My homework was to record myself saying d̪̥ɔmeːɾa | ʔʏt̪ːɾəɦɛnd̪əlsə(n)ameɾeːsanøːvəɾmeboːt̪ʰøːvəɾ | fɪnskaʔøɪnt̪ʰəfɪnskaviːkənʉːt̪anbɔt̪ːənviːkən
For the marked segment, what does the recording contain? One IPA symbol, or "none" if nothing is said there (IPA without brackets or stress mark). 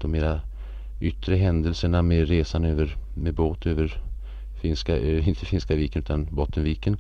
ɳ